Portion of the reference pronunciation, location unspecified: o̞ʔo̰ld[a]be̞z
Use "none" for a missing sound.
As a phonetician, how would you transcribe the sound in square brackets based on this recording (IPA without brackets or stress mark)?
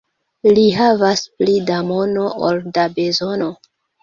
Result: a